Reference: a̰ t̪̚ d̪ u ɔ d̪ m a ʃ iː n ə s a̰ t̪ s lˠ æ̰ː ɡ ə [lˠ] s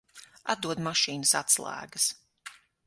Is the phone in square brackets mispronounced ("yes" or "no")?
yes